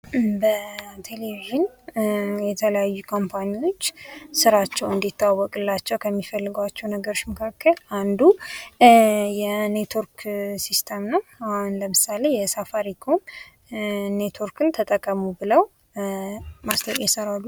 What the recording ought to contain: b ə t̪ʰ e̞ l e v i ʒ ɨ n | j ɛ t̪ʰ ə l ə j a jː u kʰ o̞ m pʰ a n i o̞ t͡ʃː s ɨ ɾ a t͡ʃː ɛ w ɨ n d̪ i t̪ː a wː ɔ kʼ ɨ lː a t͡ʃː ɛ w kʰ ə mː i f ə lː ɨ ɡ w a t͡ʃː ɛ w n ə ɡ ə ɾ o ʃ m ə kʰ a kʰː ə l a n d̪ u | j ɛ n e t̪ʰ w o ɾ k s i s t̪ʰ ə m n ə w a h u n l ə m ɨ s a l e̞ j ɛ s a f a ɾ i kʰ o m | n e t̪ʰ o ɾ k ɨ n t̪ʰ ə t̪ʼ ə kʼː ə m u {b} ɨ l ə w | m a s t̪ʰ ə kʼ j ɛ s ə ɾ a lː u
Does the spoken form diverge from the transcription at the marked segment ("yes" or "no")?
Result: no